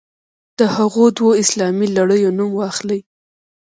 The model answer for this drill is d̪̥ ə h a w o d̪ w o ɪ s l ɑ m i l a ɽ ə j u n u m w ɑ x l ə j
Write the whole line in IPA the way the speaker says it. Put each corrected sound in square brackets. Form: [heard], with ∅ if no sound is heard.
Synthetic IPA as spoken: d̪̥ ə h a [ɣ] o d̪ w o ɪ s l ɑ m i l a ɽ ə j [o] n u m w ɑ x l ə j